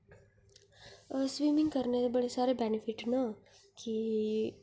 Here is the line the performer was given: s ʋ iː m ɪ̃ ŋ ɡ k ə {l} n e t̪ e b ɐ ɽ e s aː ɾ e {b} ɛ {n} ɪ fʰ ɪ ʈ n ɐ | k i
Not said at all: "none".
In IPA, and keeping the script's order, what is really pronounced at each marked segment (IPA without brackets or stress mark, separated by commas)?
ɾ, b, n